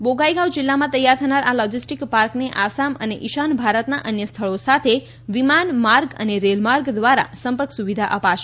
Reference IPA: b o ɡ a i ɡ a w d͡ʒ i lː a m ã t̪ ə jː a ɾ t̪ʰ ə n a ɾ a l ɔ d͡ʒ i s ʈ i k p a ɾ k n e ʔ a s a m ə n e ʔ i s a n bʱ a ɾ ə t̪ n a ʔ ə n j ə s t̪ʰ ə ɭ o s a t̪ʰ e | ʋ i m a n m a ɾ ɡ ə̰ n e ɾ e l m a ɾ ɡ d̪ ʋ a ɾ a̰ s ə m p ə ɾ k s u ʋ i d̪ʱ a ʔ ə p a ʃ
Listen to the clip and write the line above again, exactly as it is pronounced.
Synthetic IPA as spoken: b o ɡ a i ɡ a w d͡ʒ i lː a m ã t̪ ə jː a ɾ t̪ʰ ə n a ɾ a l ɔ d͡ʒ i s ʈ i k p a ɾ k n e ʔ a s a m ə n e ʔ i ʃ a n bʱ a ɾ ə t̪ n a ʔ ə n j ə s t̪ʰ ə ɭ o s a t̪ʰ e | ʋ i m a n m a ɾ ɡ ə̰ n e ɾ e l m a ɾ ɡ d̪ ʋ a ɾ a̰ s ə m p ə ɾ k s u ʋ i d̪ʱ a ʔ ə p a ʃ